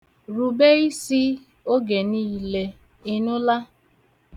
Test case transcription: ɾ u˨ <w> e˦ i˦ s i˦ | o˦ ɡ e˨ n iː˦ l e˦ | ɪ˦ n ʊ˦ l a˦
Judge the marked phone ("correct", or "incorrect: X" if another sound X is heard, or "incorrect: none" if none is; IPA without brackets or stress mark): incorrect: b